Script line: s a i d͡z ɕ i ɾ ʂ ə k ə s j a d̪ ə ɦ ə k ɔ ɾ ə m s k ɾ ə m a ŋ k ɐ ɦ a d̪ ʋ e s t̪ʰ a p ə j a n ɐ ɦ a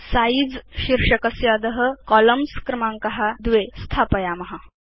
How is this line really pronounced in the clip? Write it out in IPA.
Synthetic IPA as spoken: s a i d͡z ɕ i ɾ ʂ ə k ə s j a d̪ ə ɦ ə k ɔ l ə m s k ɾ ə m a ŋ k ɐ ɦ a d̪ ʋ e s t̪ʰ a p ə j a m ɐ ɦ a